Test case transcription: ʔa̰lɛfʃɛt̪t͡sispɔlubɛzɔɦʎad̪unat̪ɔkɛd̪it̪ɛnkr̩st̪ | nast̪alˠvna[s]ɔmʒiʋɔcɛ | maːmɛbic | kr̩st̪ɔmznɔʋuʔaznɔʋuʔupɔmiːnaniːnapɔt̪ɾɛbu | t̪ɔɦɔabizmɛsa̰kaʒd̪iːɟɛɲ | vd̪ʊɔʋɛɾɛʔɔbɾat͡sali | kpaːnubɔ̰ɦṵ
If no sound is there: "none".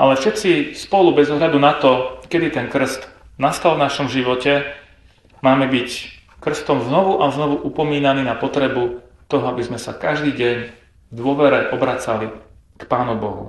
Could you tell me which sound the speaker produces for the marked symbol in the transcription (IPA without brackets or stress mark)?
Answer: ʃ